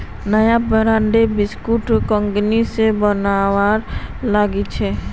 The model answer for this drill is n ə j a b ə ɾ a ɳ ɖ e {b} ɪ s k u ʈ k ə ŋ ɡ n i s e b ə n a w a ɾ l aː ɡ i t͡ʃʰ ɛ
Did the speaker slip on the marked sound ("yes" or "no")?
no